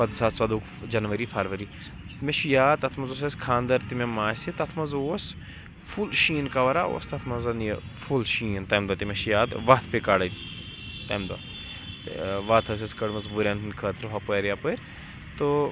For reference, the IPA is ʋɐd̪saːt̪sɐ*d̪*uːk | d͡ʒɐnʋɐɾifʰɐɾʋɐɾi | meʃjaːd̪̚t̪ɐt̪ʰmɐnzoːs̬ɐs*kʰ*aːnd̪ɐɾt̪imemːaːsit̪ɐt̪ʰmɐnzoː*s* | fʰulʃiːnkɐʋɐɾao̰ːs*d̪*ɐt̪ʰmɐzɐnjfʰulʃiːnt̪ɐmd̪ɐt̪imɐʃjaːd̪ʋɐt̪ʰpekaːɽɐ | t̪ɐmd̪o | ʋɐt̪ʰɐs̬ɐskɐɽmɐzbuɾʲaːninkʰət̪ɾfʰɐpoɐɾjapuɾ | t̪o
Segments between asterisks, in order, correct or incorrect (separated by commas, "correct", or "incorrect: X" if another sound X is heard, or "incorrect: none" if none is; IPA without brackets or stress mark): correct, correct, correct, incorrect: t̪